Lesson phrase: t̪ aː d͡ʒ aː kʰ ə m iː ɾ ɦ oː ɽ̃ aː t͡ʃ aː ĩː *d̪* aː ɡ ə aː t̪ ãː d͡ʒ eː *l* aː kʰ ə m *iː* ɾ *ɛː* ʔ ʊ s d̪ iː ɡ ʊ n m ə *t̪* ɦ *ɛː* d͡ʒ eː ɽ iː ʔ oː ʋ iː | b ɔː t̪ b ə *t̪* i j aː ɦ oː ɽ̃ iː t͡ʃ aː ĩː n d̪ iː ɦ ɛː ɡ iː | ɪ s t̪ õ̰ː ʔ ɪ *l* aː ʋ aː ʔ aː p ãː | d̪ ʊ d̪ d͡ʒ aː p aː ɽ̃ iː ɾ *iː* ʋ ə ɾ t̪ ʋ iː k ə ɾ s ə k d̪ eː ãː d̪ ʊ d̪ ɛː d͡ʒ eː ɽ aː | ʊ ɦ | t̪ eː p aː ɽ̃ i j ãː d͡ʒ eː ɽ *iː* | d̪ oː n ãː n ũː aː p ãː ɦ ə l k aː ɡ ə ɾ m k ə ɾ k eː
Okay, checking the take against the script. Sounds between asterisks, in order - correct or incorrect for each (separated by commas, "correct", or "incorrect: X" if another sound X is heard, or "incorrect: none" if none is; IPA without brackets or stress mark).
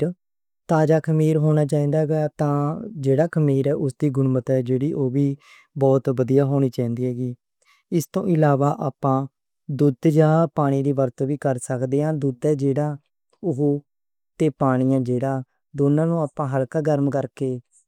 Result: correct, incorrect: ɽ, correct, correct, correct, correct, incorrect: d̪, correct, correct, incorrect: aː